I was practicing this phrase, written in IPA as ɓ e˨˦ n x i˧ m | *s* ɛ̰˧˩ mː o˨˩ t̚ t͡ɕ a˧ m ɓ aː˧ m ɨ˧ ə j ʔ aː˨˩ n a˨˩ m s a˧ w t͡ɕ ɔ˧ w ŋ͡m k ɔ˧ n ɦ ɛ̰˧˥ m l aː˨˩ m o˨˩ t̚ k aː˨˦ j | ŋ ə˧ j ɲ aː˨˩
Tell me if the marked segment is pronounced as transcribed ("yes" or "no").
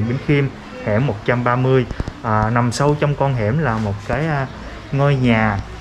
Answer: no